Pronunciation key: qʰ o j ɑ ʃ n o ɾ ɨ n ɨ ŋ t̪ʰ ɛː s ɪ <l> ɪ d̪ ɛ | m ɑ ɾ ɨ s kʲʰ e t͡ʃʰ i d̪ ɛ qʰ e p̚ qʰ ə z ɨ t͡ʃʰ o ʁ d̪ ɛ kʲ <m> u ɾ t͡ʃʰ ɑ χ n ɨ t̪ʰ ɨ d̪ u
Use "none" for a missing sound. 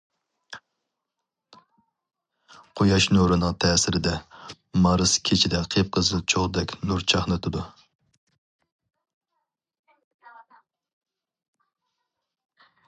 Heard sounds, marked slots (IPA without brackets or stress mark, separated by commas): ɾ, n